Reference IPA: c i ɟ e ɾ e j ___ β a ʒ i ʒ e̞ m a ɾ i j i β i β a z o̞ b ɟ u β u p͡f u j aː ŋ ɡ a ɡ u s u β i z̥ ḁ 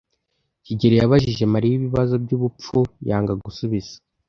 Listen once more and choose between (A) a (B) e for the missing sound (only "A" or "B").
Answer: A